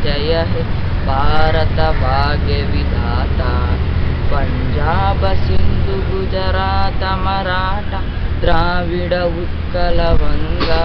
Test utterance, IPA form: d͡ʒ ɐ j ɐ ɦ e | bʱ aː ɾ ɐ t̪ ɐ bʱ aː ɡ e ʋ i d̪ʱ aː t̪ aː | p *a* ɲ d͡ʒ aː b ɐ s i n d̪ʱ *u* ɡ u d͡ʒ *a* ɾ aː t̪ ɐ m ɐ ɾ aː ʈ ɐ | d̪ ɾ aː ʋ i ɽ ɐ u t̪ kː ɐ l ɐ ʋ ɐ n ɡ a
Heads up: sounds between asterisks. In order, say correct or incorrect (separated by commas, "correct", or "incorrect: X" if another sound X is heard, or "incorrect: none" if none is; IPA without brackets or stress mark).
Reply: incorrect: ɐ, correct, incorrect: ɐ